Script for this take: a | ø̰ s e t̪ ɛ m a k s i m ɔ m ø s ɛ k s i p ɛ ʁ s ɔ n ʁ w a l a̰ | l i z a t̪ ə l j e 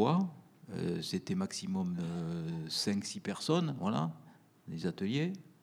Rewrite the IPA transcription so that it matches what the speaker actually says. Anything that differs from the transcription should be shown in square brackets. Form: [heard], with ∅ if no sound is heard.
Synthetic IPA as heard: a | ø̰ s e t̪ ɛ m a k s i m ɔ m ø s [ɛ̃] k s i p ɛ ʁ s ɔ n [v] w a l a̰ | l [e] z a t̪ ə l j e